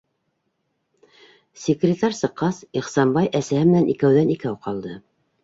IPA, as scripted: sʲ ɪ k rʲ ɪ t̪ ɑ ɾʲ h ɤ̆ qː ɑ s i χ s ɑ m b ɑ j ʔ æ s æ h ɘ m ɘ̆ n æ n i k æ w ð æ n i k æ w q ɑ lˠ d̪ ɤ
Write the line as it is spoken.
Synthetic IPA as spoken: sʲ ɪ k rʲ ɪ t̪ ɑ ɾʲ s ɤ̆ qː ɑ s i χ s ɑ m b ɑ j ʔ æ s æ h ɘ m ɘ̆ n æ n i k æ w ð æ n i k æ w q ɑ lˠ d̪ ɤ